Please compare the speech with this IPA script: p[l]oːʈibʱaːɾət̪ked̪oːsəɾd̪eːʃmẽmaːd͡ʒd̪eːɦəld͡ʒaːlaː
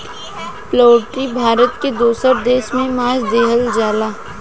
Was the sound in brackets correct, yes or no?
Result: yes